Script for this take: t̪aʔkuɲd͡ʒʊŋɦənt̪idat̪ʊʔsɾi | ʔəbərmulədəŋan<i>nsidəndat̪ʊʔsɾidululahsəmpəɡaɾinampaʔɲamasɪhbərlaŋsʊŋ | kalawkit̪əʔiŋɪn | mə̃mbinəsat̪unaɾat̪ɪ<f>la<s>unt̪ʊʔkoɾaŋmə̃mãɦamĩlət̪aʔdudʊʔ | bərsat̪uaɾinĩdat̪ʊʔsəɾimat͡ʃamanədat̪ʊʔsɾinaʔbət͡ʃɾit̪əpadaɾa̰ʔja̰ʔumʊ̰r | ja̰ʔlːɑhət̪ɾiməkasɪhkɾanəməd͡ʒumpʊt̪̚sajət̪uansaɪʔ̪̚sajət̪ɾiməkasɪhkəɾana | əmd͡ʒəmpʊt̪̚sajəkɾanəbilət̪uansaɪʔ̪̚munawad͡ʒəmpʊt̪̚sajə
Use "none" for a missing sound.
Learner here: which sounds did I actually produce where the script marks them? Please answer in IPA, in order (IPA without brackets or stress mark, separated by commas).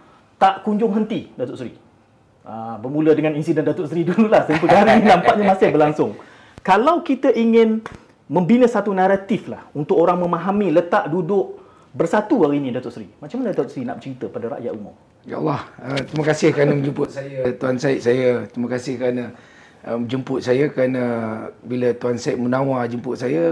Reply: i, f, h